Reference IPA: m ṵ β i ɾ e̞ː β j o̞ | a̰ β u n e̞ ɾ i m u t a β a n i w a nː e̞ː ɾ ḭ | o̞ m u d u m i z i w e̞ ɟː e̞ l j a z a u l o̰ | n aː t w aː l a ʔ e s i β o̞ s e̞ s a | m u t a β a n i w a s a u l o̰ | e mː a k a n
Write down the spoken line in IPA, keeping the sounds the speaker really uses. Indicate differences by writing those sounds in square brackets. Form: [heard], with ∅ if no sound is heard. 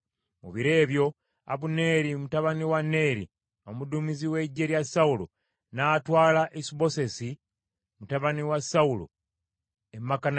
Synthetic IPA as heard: m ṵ β i ɾ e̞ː β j o̞ | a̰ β u n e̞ ɾ i m u t a β a n i w a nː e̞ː ɾ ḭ | o̞ m u d u m i z i w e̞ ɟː e̞ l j a [s] a u l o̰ | n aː t w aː l a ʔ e s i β o̞ s e̞ s [i] | m u t a β a n i w a s a u l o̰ | e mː a k a n